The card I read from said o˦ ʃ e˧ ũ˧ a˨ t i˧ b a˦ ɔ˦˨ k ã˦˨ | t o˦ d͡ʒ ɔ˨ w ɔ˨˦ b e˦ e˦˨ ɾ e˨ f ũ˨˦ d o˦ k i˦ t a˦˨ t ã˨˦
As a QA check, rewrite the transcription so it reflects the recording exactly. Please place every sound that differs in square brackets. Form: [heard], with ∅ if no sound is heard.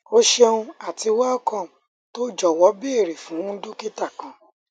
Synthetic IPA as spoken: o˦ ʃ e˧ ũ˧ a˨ t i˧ [w] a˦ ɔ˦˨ k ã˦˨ | t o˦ d͡ʒ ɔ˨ w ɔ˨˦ b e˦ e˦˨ ɾ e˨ f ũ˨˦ d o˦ k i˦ t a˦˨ [k] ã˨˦

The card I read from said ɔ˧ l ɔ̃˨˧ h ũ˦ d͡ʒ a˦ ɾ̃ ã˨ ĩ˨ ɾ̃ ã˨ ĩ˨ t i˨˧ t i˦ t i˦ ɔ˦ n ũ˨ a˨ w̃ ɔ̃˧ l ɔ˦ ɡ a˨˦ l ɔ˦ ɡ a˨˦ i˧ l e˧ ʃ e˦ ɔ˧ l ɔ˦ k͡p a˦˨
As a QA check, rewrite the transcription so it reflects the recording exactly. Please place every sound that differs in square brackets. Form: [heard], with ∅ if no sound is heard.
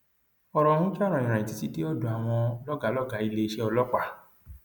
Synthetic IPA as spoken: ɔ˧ [ɾ] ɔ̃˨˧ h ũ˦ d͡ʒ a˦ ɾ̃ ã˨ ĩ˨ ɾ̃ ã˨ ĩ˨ t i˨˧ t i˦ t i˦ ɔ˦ [d] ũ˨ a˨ w̃ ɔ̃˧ l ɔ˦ ɡ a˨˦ l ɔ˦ ɡ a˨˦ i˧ l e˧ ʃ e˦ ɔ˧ l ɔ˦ k͡p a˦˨

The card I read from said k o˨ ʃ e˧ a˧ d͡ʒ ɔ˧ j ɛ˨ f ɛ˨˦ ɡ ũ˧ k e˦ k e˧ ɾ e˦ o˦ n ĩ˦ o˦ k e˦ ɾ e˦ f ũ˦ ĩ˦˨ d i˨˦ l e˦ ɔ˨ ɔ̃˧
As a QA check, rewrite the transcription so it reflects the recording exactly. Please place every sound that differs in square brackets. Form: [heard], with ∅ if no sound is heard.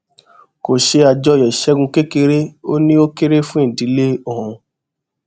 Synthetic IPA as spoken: k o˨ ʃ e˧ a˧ d͡ʒ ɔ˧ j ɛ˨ [ʃ] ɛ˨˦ ɡ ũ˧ k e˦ k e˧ ɾ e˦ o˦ n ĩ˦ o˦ k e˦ ɾ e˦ f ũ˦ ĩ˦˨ d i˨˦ l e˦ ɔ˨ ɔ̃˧

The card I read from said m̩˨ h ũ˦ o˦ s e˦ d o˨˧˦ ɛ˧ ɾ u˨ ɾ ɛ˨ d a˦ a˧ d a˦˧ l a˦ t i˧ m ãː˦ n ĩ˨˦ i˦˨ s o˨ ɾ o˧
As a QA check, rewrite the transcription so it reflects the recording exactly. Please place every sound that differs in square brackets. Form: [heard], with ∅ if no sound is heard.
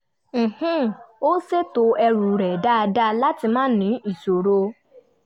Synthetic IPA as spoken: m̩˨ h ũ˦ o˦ s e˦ [t] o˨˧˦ ɛ˧ ɾ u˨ ɾ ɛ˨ d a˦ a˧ d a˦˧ l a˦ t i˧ m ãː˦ n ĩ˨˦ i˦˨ s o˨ ɾ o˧

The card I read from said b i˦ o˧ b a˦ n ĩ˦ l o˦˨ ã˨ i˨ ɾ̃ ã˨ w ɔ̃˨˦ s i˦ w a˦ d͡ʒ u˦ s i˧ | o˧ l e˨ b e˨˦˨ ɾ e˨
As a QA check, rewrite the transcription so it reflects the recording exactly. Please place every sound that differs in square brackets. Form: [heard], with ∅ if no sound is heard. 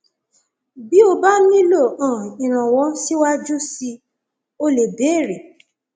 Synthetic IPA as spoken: b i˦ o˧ b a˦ n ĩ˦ l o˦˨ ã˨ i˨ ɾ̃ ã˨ w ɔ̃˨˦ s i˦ w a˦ d͡ʒ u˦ s i˧ | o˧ l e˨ b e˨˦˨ ɾ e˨

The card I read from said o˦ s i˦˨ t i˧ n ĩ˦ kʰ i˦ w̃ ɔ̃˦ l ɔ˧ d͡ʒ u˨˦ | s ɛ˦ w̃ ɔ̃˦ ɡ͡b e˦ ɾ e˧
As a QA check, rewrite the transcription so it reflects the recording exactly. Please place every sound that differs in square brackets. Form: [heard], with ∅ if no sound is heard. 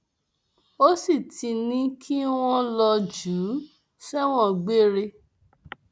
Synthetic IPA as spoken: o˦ s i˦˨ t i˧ n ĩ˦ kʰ i˦ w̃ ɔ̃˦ l ɔ˧ d͡ʒ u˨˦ | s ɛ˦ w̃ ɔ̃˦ ɡ͡b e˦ ɾ e˧

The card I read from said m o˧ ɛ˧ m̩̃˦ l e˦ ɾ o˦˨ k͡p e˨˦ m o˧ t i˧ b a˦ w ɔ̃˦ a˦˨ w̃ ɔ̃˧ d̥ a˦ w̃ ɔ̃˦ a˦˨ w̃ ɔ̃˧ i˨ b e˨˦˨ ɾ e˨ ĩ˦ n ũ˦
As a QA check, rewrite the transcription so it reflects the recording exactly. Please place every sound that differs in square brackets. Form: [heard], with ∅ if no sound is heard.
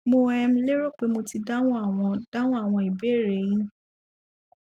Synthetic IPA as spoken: m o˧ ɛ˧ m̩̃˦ l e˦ ɾ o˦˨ k͡p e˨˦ m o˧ t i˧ [d] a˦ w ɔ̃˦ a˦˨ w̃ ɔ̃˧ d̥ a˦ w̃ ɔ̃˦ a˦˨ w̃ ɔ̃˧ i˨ b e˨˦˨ ɾ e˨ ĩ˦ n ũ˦

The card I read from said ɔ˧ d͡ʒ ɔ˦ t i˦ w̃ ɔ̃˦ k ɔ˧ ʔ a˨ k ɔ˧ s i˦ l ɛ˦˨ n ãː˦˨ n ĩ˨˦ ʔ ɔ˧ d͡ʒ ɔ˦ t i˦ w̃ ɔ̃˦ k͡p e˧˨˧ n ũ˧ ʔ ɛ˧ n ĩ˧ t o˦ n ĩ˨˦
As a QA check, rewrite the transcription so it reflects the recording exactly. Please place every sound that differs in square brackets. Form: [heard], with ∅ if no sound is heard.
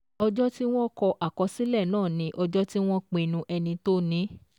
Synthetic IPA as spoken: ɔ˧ d͡ʒ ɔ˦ t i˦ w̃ ɔ̃˦ k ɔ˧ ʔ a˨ k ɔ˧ s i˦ l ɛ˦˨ n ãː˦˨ n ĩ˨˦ ʔ ɔ˧ d͡ʒ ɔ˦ t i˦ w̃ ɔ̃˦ k͡p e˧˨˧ n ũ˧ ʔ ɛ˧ n ĩ˧ t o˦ n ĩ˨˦

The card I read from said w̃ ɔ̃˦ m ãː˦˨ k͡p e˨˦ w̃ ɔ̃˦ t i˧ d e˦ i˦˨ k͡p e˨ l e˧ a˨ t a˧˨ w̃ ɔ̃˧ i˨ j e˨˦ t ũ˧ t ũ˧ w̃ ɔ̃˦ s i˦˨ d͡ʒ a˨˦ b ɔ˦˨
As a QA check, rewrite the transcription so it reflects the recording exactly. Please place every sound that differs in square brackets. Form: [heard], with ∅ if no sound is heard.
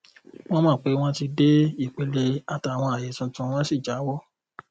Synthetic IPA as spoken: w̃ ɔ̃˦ m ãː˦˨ k͡p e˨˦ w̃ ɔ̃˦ t i˧ d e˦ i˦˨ k͡p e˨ l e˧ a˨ t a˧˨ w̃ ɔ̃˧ [a˨] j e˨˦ t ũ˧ t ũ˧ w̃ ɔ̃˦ s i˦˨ d͡ʒ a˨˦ [w] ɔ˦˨

